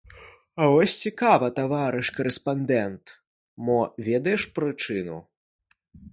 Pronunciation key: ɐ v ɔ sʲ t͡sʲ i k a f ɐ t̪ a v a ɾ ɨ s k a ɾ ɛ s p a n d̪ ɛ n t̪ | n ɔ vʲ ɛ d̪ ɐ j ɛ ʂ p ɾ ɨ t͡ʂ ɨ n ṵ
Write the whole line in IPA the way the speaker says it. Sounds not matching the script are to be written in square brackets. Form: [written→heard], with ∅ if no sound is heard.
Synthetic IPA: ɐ v ɔ sʲ t͡sʲ i k a [f→v] ɐ t̪ a v a ɾ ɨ [s→ʂ] k [a→ɐ] ɾ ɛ s p a n d̪ ɛ n t̪ | [n→m] ɔ vʲ ɛ d̪ ɐ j ɛ ʂ p ɾ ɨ t͡ʂ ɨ n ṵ